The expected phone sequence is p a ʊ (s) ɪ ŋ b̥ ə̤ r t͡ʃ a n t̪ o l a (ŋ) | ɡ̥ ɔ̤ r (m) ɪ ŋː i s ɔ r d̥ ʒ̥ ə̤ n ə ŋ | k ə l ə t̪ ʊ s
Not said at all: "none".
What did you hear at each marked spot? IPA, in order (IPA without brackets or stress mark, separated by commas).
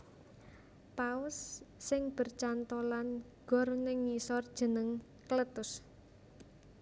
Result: sː, n, n